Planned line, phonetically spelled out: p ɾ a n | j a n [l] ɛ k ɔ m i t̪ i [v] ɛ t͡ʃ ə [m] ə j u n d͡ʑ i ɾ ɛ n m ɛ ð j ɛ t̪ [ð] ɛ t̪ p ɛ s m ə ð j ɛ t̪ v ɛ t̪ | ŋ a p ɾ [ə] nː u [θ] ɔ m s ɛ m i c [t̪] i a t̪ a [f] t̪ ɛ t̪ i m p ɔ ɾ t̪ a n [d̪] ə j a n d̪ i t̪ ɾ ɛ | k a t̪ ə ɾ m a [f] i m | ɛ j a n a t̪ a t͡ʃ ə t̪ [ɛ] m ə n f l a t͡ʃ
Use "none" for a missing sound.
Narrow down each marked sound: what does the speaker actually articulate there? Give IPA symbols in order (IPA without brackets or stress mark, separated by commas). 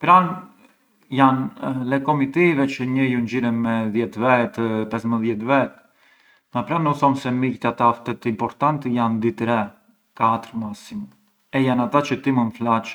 l, v, ɲ, v, a, θ, t̪, f, t̪, s, i